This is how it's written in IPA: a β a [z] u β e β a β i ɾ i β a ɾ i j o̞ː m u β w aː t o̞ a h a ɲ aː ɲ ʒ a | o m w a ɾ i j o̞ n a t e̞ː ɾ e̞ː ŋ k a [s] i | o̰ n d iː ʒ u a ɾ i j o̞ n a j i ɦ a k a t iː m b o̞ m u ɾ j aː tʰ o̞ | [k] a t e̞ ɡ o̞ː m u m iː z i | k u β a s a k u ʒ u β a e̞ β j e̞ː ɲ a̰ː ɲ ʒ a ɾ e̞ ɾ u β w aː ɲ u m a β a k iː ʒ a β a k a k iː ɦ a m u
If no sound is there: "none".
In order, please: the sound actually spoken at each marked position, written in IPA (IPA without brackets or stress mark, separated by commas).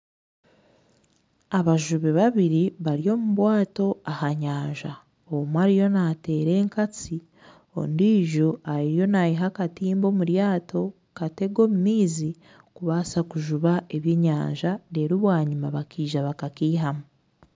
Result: ʒ, t͡s, k